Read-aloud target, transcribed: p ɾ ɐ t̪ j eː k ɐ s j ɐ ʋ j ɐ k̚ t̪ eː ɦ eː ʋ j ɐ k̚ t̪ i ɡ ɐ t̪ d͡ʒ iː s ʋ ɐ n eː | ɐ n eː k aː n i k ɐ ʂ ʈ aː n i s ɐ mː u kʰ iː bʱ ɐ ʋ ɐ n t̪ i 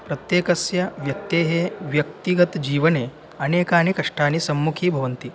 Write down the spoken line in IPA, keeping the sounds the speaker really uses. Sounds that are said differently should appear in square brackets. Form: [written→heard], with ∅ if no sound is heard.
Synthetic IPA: p ɾ ɐ t̪ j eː k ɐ s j ɐ ʋ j ɐ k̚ t̪ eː ɦ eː ʋ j ɐ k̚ t̪ i ɡ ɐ t̪ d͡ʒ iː [s→∅] ʋ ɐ n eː | ɐ n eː k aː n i k ɐ ʂ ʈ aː n i s ɐ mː u kʰ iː bʱ ɐ ʋ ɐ n t̪ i